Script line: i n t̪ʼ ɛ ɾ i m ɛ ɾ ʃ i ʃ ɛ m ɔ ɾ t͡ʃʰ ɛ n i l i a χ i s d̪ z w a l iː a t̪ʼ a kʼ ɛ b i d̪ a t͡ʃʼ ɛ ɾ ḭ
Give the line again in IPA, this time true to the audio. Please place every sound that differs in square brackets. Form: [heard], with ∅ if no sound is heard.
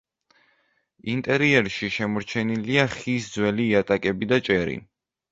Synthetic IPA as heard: i n t̪ʼ ɛ ɾ i [∅] ɛ ɾ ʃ i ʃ ɛ m ɔ ɾ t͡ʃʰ ɛ n i l i a χ i s d̪ z w [ɛ] l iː a t̪ʼ a kʼ ɛ b i d̪ a t͡ʃʼ ɛ ɾ ḭ

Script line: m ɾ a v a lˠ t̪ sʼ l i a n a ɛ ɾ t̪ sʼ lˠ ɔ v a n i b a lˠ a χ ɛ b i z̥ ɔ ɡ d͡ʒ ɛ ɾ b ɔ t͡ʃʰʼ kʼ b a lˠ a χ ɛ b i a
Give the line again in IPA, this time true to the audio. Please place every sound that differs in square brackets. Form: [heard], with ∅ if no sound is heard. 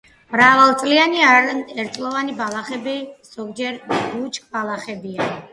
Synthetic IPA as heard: m ɾ a v a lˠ t̪ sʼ l i a n [i] ɛ ɾ t̪ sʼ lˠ ɔ v a n i b a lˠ a χ ɛ b i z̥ ɔ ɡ d͡ʒ ɛ ɾ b [u] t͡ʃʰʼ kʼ b a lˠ a χ ɛ b i a

